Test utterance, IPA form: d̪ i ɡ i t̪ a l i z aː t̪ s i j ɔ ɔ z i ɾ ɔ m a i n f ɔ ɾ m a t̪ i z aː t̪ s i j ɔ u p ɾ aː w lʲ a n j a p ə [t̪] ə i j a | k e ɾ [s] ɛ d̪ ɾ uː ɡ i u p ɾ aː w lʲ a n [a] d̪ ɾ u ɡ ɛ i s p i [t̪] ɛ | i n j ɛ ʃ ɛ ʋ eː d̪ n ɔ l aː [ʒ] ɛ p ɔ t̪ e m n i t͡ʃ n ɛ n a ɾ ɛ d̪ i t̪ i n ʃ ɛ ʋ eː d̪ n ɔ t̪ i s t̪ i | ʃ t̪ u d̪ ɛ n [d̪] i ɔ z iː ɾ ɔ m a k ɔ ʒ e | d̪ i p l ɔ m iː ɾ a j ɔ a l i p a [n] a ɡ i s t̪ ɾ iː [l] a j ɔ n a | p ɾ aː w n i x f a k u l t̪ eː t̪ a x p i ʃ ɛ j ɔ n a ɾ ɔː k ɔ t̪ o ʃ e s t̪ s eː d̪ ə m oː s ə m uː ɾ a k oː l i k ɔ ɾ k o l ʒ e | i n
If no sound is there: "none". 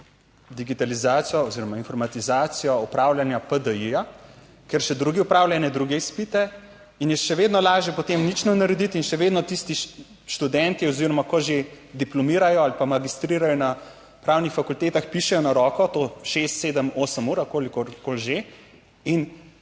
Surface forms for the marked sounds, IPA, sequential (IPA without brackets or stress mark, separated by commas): d̪, ʃ, ɛ, t̪, ʒ, t̪, m, ɾ